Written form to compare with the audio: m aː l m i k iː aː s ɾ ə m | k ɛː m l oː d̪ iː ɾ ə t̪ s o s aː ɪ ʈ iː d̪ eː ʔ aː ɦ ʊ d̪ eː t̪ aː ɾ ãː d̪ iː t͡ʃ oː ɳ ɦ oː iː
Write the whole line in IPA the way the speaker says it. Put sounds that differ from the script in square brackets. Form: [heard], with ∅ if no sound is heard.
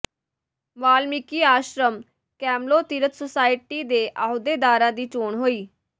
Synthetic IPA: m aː l m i k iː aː [ʃ] ɾ ə m | k ɛː m l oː [t̪] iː ɾ ə t̪ s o s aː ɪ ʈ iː d̪ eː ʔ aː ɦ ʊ d̪ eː [d̪] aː ɾ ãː d̪ iː t͡ʃ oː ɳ ɦ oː iː

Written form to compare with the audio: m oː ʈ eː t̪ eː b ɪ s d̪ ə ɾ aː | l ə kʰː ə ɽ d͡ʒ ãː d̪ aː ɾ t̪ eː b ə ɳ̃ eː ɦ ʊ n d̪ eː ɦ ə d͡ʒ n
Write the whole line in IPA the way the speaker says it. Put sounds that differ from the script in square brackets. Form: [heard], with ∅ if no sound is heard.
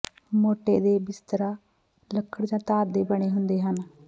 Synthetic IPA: m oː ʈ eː [d̪] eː b ɪ s [t̪] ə ɾ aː | l ə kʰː ə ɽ d͡ʒ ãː [t̪] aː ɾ [d̪] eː b ə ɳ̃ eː ɦ ʊ n d̪ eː ɦ ə [∅] n

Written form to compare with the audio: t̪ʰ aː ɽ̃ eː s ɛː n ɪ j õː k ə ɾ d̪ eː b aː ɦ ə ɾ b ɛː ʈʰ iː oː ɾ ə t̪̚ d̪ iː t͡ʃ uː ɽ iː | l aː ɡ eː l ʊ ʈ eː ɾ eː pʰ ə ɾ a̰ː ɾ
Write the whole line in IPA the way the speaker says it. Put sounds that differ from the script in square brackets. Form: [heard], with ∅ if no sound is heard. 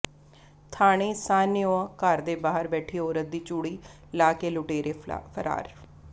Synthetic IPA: t̪ʰ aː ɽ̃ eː s [aː] n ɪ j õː k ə ɾ d̪ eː b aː ɦ ə ɾ b ɛː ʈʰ iː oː ɾ ə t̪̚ d̪ iː t͡ʃ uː ɽ iː | l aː [k] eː l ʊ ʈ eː ɾ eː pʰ ə ɾ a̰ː ɾ

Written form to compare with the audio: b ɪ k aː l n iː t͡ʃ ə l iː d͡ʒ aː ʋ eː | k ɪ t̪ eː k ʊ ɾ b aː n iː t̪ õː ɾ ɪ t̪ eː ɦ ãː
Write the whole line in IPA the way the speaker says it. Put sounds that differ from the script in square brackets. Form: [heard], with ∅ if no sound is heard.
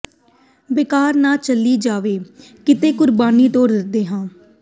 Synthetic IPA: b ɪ k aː [ɾ] n [aː] t͡ʃ ə l iː d͡ʒ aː ʋ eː | k ɪ t̪ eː k ʊ ɾ b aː n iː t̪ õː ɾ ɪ [d̪] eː ɦ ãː

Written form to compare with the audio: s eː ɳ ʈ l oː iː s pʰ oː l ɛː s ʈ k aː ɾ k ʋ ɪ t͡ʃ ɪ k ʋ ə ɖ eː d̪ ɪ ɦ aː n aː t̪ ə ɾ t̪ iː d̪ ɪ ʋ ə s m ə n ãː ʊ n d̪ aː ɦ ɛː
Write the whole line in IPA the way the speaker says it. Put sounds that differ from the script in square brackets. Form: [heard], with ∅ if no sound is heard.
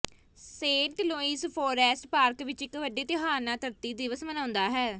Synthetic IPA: s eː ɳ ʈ l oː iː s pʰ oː [ɾ] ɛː s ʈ [p] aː ɾ k ʋ ɪ t͡ʃ ɪ k ʋ ə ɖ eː [t̪] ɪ ɦ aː n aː t̪ ə ɾ t̪ iː d̪ ɪ ʋ ə s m ə n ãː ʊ n d̪ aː ɦ ɛː

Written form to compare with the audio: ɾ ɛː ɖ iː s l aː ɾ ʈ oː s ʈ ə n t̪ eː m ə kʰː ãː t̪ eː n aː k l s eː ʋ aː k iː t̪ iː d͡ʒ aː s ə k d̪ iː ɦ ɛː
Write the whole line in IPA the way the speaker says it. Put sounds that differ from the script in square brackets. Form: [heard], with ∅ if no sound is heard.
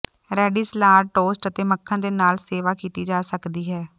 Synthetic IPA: ɾ ɛː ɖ iː s l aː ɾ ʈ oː s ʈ ə [∅] t̪ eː m ə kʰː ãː [d̪] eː n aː [∅] l s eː ʋ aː k iː t̪ iː d͡ʒ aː s ə k d̪ iː ɦ ɛː

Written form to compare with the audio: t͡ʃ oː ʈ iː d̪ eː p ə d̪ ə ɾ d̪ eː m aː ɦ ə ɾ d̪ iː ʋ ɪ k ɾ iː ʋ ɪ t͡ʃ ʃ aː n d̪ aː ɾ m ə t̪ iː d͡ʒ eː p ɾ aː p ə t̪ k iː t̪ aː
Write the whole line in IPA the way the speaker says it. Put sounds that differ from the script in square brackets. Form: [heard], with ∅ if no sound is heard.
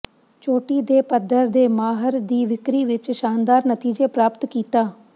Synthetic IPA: t͡ʃ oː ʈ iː d̪ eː p ə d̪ ə ɾ d̪ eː m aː ɦ ə ɾ d̪ iː ʋ ɪ k ɾ iː ʋ ɪ t͡ʃ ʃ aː n d̪ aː ɾ [n] ə t̪ iː d͡ʒ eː p ɾ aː p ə t̪ k iː t̪ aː

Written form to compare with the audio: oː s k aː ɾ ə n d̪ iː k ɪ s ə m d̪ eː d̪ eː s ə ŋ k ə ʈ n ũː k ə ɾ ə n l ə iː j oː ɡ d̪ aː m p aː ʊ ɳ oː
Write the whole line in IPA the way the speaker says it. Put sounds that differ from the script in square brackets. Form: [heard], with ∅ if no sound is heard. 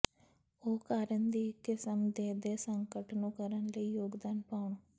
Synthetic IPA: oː [∅] k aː ɾ ə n d̪ iː k ɪ s ə m d̪ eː d̪ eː s ə ŋ k ə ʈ n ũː k ə ɾ ə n l ə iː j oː ɡ d̪ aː [n] p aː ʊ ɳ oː

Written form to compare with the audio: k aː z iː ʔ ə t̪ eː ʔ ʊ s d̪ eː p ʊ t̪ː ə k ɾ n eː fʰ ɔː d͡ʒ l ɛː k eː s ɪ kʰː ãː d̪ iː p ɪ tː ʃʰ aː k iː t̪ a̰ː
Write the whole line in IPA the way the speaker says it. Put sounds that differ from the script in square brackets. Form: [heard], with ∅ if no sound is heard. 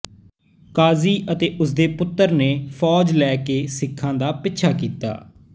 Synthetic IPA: k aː z iː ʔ ə t̪ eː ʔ ʊ s d̪ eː p ʊ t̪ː ə [∅] ɾ n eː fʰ ɔː d͡ʒ l ɛː k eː s ɪ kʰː ãː d̪ [aː] p ɪ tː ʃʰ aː k iː t̪ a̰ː

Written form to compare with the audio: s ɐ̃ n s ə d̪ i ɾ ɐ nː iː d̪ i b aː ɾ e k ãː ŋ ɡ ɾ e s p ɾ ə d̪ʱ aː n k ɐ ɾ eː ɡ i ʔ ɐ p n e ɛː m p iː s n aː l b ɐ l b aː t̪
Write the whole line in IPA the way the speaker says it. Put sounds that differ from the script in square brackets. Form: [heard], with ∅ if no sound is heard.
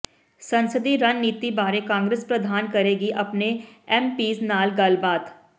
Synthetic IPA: s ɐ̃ n s ə d̪ i ɾ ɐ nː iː [t̪] i b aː ɾ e k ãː ŋ ɡ ɾ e s p ɾ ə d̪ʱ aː n k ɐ ɾ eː ɡ i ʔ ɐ p n e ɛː m p iː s n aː l [ɡ] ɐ l b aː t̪

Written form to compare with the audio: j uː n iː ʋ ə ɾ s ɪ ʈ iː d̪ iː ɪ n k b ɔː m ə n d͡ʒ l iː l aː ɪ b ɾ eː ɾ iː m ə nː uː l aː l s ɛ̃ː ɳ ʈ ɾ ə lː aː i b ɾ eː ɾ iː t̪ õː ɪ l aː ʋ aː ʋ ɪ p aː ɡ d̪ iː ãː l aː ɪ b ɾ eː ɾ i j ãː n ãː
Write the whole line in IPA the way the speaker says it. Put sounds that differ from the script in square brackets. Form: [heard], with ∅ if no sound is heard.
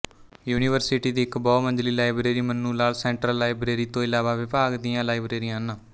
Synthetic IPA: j uː n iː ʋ ə ɾ s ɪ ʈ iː d̪ iː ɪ [∅] k b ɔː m ə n d͡ʒ l iː l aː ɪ b ɾ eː ɾ iː m ə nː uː l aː l s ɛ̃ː ɳ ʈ ɾ ə lː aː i b ɾ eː ɾ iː t̪ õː ɪ l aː ʋ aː ʋ ɪ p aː ɡ d̪ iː ãː l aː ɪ b ɾ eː ɾ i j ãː n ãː

